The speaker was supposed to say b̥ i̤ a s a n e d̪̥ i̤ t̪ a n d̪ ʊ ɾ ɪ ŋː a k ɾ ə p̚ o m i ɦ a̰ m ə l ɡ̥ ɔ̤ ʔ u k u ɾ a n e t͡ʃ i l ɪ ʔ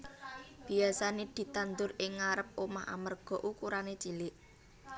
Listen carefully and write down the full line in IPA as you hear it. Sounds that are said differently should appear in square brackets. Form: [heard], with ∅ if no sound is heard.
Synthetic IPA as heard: b̥ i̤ a s a n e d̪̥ i̤ t̪ a n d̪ ʊ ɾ ɪ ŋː a [∅] ɾ ə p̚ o m [a] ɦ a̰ m ə [r] ɡ̥ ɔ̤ ʔ u k u ɾ a n e t͡ʃ i l ɪ ʔ